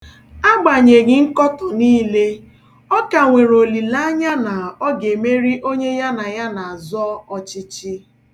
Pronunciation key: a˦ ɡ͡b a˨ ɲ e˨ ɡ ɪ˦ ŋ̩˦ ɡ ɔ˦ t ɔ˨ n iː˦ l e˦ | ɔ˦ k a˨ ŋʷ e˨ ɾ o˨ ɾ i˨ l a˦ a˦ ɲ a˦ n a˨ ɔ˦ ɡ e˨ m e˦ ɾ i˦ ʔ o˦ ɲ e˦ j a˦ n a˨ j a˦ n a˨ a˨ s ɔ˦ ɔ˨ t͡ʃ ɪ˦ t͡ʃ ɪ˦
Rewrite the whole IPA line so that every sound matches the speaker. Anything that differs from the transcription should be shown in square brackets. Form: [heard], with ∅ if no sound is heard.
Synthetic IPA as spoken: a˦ ɡ͡b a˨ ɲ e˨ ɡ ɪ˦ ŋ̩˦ [k] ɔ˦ t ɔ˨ n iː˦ l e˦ | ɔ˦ k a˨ ŋʷ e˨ ɾ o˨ [l] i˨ l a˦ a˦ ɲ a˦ n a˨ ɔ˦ ɡ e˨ m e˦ ɾ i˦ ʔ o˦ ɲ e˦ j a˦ n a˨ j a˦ n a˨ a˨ [z] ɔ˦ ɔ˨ t͡ʃ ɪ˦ t͡ʃ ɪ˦